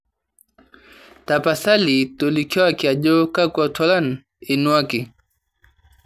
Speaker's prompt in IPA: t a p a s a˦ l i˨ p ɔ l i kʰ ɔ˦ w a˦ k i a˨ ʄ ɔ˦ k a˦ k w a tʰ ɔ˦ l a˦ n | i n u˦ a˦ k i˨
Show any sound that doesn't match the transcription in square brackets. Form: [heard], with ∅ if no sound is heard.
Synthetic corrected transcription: t a p a s a˦ l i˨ [t] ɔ l i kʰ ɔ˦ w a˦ k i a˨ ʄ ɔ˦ k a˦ k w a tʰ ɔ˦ l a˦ n | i n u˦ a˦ k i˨